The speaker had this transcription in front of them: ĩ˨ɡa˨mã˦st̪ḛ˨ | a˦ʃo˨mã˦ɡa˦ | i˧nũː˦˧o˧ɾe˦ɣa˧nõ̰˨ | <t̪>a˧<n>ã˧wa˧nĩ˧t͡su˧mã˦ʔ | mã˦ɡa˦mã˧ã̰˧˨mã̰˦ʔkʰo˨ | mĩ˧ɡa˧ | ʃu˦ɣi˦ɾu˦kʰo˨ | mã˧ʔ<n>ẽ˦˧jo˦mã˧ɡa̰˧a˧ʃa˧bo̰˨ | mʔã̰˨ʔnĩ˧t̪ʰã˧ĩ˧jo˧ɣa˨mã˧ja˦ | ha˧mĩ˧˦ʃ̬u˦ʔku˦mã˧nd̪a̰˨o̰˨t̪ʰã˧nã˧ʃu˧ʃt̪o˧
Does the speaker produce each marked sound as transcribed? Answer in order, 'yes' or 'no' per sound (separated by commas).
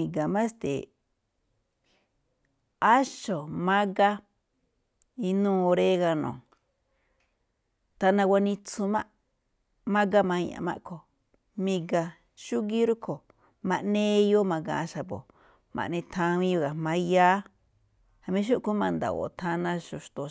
yes, yes, yes